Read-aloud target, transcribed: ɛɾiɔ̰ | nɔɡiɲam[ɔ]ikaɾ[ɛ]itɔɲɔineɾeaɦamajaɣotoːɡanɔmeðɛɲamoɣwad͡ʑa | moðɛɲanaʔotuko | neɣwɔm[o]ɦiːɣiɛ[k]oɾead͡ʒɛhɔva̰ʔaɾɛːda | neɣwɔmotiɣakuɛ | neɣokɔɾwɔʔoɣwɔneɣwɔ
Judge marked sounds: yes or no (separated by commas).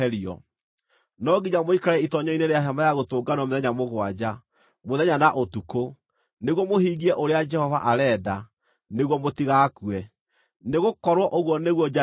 no, yes, yes, no